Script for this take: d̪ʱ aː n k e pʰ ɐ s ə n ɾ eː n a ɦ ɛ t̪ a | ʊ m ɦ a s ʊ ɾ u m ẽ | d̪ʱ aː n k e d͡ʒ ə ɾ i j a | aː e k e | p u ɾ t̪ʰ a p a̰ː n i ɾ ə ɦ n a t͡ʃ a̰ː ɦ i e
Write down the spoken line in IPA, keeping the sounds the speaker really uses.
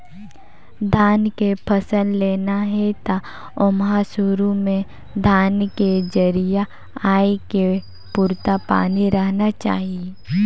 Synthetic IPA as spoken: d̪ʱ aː n k e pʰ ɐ s ə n l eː n a ɦ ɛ t̪ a | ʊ m ɦ a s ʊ ɾ u m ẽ | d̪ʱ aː n k e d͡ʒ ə ɾ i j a | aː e k e | p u ɾ t̪ a p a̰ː n i ɾ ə ɦ n a t͡ʃ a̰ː ɦ i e